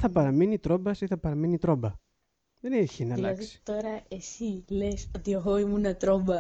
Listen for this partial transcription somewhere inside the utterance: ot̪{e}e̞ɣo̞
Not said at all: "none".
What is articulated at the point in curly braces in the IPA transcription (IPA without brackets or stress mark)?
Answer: i